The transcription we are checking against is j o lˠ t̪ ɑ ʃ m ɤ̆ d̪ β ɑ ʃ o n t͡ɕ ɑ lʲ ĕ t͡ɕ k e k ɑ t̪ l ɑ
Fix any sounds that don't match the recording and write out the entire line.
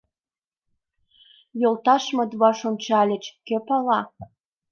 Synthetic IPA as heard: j o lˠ t̪ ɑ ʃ m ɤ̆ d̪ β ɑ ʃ o n t͡ɕ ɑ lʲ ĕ t͡ɕ k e p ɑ l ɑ

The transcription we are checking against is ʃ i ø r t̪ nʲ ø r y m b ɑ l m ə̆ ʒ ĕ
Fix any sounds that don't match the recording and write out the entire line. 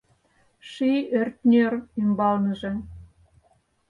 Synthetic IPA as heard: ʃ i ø r t̪ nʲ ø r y m b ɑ l n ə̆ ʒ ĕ

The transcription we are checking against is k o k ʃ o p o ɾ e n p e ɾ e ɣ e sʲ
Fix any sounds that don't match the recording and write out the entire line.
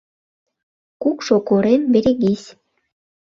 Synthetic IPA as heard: k u k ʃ o k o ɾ e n b e ɾ e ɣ i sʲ

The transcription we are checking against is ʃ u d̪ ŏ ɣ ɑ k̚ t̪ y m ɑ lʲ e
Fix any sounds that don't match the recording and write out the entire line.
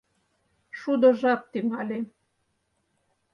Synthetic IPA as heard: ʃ u d̪ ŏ ʒ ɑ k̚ t̪ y ŋ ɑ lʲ e

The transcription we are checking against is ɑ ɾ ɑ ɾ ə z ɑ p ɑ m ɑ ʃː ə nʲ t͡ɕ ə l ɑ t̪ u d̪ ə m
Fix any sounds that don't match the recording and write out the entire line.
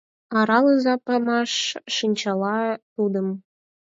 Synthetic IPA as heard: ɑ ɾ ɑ l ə z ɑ p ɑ m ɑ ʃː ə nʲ t͡ɕ ɑ l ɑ t̪ u d̪ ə m

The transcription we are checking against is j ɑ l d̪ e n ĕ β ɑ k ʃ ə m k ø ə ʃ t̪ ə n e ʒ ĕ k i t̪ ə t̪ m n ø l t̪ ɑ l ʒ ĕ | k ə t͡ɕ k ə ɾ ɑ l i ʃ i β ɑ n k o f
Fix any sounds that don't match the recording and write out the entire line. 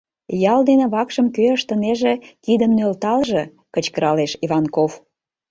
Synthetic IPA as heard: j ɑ l d̪ e n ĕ β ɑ k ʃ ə m k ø ə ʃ t̪ ə n e ʒ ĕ k i d̪ ə m n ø l t̪ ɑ l ʒ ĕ | k ə t͡ɕ k ə ɾ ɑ l e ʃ i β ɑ n k o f

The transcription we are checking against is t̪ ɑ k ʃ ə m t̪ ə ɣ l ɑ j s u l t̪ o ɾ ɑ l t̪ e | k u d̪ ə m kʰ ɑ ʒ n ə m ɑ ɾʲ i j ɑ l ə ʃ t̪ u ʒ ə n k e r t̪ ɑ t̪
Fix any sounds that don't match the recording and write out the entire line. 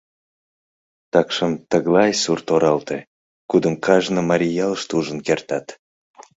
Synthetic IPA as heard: t̪ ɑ k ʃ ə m t̪ ə ɣ l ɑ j s u r t̪ o ɾ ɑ l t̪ e | k u d̪ ə m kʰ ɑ ʒ n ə m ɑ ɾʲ i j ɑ l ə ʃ t̪ u ʒ ə n k e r t̪ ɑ t̪

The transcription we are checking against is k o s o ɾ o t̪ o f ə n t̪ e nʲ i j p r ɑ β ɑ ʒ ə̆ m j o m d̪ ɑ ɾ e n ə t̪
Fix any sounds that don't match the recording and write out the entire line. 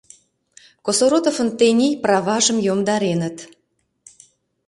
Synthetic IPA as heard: k o s o ɾ o t̪ o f ə n t̪ e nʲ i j p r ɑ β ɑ ʒ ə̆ m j o m d̪ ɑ ɾ e n ə t̪

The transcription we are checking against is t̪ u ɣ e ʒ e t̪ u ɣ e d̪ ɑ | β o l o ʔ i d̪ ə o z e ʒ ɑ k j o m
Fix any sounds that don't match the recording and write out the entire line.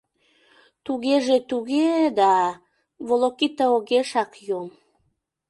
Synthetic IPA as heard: t̪ u ɣ e ʒ e t̪ u ɣ e d̪ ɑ | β o l o k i t̪ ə o ɣ e ʃ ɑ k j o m

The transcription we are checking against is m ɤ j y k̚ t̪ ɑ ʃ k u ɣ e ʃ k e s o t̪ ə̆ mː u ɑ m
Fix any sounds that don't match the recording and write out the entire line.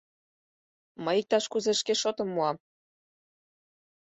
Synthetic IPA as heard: m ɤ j i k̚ t̪ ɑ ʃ k u z e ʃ k e ʃ o t̪ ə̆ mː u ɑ m

